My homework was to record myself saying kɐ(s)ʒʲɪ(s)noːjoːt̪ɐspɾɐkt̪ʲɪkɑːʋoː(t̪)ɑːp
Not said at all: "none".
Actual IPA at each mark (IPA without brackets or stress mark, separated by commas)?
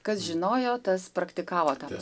s, none, t̪